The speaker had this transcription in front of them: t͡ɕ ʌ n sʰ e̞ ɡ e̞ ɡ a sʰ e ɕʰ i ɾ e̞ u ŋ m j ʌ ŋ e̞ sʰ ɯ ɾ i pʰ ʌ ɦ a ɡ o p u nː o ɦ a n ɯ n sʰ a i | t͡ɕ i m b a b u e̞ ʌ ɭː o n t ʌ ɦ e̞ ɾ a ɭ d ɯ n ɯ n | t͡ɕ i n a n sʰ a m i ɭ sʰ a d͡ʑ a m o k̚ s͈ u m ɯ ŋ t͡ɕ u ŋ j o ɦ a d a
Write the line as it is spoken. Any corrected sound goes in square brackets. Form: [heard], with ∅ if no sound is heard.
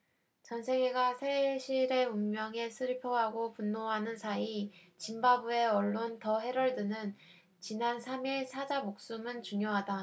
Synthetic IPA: t͡ɕ ʌ n sʰ e̞ ɡ e̞ ɡ a sʰ e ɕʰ i ɾ e̞ u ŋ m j ʌ ŋ e̞ sʰ ɯ ɾ i pʰ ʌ ɦ a ɡ o p u nː o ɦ a n ɯ n sʰ a i | t͡ɕ i m b a b u e̞ ʌ ɭː o n t ʌ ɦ e̞ ɾ [ʌ] ɭ d ɯ n ɯ n | t͡ɕ i n a n sʰ a m i ɭ sʰ a d͡ʑ a m o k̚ s͈ u m ɯ [n] t͡ɕ u ŋ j o ɦ a d a